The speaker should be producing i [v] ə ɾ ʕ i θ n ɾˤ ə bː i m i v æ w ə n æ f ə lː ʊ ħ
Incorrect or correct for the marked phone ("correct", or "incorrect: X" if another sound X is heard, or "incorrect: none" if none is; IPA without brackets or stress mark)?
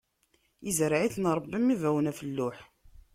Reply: incorrect: z